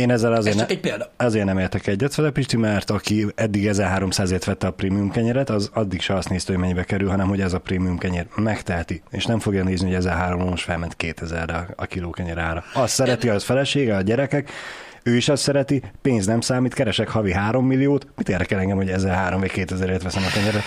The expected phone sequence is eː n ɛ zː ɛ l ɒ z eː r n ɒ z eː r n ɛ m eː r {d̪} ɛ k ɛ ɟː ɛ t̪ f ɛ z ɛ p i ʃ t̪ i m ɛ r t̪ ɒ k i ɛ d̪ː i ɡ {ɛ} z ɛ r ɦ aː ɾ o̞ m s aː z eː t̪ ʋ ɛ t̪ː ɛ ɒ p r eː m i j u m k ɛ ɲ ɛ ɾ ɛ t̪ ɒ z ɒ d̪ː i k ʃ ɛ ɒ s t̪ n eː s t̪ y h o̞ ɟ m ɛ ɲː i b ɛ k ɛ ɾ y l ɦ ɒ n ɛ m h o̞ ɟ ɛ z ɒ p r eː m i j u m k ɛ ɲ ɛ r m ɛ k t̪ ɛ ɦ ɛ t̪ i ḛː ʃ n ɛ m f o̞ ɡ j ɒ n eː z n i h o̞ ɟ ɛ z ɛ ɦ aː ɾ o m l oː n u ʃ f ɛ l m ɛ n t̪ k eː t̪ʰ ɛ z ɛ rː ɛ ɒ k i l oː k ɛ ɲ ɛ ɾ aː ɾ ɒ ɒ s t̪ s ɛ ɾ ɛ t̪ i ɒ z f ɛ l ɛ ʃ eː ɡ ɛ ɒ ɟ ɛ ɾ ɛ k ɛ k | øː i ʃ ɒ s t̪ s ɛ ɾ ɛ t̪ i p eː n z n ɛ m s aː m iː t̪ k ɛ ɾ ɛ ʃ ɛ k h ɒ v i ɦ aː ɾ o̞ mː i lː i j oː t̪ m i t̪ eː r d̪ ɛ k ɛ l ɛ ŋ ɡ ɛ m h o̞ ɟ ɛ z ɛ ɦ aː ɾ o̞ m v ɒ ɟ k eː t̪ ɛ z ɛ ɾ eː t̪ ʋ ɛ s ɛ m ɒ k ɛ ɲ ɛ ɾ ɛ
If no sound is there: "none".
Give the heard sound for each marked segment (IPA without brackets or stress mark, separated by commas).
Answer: t̪, ɛ